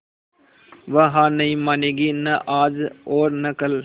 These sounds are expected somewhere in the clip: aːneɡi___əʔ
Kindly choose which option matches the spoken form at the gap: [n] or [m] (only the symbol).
n